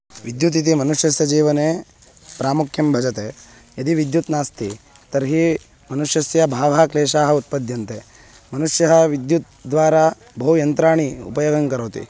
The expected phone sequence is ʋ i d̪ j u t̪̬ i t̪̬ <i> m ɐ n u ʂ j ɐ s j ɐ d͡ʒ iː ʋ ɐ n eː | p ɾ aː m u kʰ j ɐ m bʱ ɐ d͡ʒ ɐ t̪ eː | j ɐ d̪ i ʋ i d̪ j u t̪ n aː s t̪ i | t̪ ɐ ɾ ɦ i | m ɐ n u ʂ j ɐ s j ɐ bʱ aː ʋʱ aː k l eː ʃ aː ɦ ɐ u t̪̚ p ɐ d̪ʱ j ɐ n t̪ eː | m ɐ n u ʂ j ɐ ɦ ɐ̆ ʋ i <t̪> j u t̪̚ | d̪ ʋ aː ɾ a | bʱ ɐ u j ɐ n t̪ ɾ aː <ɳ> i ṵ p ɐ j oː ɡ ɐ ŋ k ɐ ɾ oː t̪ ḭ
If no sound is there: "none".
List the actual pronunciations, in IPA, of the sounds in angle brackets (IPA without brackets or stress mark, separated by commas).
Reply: i, d̪, ɳ